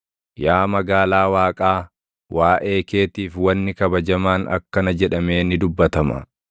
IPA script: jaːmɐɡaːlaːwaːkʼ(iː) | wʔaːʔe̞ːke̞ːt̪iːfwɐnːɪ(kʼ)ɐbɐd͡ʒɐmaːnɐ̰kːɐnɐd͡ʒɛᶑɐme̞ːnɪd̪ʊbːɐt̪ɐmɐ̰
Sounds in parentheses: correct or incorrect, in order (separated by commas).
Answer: incorrect, incorrect